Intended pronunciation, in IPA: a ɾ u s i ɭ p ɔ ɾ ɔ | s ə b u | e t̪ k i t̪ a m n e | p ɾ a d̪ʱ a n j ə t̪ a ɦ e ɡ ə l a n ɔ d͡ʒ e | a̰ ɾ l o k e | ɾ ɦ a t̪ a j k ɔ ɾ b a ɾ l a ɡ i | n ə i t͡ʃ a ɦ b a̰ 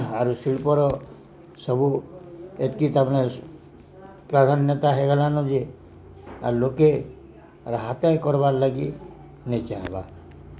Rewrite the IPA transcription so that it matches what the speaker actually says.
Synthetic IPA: a ɾ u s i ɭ p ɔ ɾ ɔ | s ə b u | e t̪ k i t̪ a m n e | p ɾ a d̪ʱ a n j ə t̪ a ɦ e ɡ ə l a n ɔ d͡ʒ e | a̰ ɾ l o k e | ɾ ɦ a t̪ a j k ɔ ɾ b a ɾ l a ɡ i | n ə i t͡ʃ a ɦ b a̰